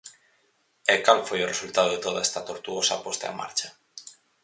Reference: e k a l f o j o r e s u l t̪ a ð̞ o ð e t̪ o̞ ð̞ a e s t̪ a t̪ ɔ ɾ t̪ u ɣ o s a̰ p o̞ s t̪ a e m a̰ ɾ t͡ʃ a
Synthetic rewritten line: e k a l f o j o r e s u l t̪ a ð̞ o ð e t̪ o̞ ð̞ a e s t̪ a t̪ o ɾ t̪ u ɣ o s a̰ p o̞ s t̪ a e m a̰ ɾ t͡ʃ a